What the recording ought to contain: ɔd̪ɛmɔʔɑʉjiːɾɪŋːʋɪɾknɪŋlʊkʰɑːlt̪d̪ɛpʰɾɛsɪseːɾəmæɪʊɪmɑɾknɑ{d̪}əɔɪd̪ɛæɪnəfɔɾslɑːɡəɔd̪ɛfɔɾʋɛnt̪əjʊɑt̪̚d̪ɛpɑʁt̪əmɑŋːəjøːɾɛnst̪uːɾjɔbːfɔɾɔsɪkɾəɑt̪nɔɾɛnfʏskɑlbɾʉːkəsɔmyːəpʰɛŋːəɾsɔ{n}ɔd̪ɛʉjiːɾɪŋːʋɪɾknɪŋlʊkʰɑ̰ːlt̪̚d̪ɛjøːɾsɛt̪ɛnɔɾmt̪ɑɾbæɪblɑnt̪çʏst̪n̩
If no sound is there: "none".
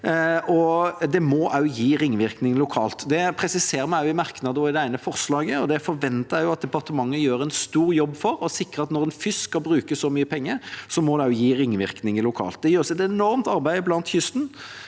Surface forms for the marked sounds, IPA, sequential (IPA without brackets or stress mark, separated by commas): d̪, m